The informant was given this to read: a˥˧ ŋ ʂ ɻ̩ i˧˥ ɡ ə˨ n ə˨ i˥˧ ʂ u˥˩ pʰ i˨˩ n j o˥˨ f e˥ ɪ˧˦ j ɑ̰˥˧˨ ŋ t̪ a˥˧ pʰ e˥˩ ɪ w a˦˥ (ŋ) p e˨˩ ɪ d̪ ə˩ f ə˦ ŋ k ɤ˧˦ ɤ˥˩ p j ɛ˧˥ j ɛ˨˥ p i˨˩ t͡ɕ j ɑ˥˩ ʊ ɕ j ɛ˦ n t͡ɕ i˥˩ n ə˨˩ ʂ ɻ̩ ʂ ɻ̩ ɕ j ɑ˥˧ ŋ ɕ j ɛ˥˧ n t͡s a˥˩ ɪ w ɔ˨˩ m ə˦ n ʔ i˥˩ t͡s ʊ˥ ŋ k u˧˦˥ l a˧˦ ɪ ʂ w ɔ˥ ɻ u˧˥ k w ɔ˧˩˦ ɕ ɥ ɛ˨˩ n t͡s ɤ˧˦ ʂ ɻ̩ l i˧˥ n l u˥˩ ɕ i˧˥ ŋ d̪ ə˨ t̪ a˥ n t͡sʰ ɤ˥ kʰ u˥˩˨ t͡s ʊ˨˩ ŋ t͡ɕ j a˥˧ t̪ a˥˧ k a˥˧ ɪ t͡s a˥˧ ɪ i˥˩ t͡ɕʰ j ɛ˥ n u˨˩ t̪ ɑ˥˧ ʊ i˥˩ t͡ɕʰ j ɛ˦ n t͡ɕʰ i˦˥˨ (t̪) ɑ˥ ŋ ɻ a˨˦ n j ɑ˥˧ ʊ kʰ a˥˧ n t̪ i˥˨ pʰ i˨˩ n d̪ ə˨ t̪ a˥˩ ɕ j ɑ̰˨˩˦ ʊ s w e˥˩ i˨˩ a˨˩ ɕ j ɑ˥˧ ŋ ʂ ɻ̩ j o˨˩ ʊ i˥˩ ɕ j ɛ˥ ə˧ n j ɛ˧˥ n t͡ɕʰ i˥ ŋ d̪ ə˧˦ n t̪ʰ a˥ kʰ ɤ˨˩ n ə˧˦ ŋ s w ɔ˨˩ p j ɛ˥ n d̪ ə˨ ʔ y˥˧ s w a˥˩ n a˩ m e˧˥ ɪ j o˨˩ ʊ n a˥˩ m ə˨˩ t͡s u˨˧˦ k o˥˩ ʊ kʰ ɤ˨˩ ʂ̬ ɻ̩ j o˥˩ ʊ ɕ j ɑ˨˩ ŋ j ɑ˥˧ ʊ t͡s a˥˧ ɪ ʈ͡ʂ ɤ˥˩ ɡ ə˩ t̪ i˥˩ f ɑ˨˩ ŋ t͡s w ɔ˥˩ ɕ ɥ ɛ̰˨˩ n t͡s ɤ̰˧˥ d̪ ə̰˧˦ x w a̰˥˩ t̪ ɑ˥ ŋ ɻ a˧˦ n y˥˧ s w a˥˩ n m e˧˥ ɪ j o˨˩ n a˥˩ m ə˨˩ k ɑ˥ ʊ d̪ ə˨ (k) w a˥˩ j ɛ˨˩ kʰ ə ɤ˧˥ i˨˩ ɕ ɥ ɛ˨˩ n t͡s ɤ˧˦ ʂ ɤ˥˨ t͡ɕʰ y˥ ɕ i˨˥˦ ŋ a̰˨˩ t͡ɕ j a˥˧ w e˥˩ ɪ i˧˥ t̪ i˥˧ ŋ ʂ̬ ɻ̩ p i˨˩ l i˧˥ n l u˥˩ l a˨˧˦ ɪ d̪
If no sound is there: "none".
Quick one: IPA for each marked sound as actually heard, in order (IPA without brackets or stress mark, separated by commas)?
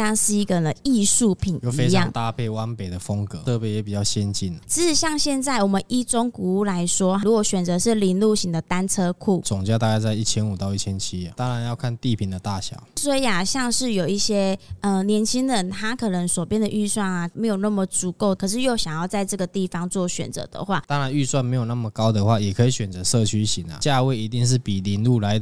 n, t̪, x